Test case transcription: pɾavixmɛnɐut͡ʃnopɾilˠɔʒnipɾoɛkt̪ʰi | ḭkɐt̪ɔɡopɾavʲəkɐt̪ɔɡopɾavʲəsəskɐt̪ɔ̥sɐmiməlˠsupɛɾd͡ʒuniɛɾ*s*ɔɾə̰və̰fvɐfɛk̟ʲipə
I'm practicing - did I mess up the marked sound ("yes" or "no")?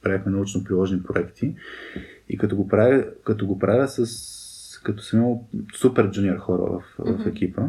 yes